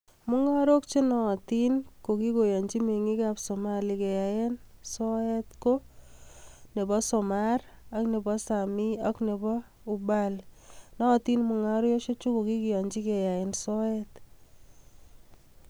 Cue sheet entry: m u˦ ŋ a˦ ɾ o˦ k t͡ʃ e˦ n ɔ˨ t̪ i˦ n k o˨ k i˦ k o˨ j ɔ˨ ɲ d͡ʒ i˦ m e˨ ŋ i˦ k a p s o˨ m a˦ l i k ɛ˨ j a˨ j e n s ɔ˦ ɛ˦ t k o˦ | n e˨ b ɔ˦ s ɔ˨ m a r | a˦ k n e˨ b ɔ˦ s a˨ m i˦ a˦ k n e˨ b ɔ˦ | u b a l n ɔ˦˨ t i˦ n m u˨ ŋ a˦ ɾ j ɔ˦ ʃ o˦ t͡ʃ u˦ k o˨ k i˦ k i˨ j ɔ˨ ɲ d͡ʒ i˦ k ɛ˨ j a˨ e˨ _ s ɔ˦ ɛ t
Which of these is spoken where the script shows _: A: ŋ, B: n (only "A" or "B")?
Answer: B